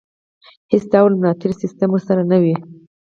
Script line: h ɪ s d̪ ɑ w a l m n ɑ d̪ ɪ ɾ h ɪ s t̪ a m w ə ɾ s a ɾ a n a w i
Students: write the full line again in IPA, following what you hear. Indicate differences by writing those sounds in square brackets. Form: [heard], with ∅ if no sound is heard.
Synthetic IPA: h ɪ s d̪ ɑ w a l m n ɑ [t̪] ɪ ɾ [s] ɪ s t̪ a m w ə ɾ s a ɾ a n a w i

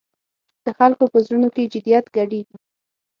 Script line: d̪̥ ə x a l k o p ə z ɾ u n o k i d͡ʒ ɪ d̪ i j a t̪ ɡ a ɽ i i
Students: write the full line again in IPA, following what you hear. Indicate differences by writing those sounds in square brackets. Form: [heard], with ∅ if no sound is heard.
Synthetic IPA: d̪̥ ə x a l k o p ə z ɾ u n o k [e] d͡ʒ ɪ d̪ i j a t̪ ɡ a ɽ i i

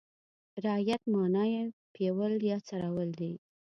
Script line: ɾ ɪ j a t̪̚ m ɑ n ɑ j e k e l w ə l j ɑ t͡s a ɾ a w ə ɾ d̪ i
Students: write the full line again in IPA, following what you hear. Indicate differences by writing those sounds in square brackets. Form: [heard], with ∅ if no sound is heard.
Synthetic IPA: ɾ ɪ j a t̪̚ m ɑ n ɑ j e [p] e [∅] w ə l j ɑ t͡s a ɾ a w ə [l] d̪ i

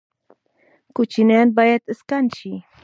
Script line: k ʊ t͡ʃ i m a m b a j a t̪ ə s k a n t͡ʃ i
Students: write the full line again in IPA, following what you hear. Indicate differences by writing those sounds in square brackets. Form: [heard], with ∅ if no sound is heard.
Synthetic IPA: k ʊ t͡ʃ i [n] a [n] b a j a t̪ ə s k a n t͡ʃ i

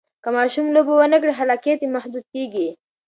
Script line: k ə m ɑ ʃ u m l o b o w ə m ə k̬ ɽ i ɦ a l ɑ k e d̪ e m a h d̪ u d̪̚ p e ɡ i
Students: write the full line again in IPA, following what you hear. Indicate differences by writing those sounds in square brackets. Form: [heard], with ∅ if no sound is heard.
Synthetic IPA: k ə m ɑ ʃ u m l o b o w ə [n] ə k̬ ɽ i ɦ a l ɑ k e [t̪] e m a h d̪ u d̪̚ [k] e ɡ i

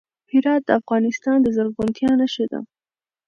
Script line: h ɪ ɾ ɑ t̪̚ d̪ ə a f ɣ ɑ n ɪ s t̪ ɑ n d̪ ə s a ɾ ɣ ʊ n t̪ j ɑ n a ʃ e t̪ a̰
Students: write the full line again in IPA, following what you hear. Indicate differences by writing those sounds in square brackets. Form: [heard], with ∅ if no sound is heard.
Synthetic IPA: h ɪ ɾ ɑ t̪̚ d̪ ə a f ɣ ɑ n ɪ s t̪ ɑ n d̪ ə [z] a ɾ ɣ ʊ n t̪ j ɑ n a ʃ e [d̪] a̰

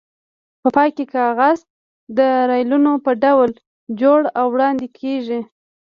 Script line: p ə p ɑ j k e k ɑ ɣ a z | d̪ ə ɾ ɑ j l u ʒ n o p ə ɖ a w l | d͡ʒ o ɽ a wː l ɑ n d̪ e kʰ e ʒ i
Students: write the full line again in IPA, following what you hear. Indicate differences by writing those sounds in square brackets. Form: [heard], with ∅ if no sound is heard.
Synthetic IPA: p ə p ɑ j k e k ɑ ɣ a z | d̪ ə ɾ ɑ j l u [∅] n o p ə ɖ a w l | d͡ʒ o ɽ a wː [ɽ] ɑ n d̪ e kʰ e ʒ i

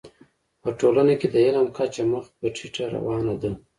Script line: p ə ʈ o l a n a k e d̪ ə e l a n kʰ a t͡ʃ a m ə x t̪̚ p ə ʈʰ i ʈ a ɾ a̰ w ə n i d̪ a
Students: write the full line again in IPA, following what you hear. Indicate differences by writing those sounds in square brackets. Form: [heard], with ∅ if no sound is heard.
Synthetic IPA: p ə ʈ o l a n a k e d̪ ə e l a [m] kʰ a t͡ʃ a m ə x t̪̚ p ə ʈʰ i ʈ a ɾ a̰ w [ɑ] n [a] d̪ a

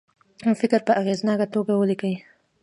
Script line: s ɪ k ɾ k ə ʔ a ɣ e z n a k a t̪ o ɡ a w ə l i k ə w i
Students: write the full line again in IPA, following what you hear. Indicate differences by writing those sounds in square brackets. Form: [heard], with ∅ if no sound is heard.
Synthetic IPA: [f] ɪ k ɾ [p] ə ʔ a ɣ e z n [ɑ] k a t̪ o ɡ a w ə l i k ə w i

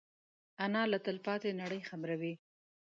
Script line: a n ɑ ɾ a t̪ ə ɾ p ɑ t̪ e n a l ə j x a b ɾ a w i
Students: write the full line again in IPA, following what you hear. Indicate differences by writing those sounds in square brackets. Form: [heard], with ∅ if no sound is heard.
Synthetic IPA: a n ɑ [l] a t̪ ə [l] p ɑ t̪ e n a [ɽ] ə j x a b ɾ a w i

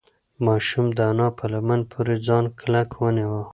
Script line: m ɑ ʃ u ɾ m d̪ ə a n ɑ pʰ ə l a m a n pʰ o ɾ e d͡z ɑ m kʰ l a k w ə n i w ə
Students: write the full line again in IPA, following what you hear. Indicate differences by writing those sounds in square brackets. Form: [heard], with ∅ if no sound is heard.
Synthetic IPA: m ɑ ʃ u [∅] m d̪ ə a n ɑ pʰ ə l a m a n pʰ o ɾ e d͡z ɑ [n] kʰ l a k w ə n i w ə

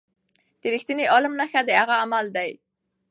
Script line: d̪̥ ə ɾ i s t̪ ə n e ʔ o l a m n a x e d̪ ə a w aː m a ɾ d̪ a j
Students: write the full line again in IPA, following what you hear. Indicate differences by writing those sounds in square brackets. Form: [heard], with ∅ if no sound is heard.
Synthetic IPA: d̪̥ ə ɾ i [x] t̪ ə n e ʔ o l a m n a x [a] d̪ ə a [ɣ] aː m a [l] d̪ a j

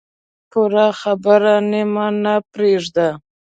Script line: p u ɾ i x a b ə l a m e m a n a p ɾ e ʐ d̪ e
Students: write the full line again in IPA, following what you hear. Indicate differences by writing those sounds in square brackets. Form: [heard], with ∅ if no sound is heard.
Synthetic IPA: p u ɾ [a] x a b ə [ɾ] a [n] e m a n a p ɾ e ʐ d̪ [a]

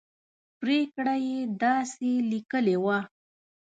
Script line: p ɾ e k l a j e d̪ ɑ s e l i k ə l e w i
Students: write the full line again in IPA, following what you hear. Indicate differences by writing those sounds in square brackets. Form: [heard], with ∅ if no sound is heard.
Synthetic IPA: p ɾ e k [ɽ] a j e d̪ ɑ s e l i k ə l e w [a]

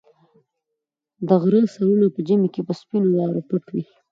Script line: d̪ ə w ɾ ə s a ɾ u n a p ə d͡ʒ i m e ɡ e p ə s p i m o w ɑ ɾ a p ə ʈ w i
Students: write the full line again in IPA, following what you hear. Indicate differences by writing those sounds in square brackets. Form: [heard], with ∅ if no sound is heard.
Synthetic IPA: d̪ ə [ɣ] ɾ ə s a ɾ u n a p ə d͡ʒ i m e [k] e p ə s p i [n] o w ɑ ɾ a p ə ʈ w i

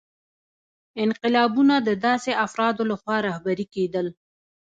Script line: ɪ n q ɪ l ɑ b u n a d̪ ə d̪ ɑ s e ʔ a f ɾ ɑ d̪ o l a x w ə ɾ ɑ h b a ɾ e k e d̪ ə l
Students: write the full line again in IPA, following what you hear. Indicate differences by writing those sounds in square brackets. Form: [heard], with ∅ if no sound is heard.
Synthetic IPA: ɪ n q ɪ l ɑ b u n a d̪ ə d̪ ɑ s e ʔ a f ɾ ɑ d̪ o l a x w [ɑ] ɾ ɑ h b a ɾ [i] k e d̪ ə l

